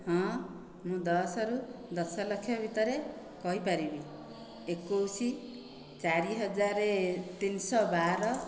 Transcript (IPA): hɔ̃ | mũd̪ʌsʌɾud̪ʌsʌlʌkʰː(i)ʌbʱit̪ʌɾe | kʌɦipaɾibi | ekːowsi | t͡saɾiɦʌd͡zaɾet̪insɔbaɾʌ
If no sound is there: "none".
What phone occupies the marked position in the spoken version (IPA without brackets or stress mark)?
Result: j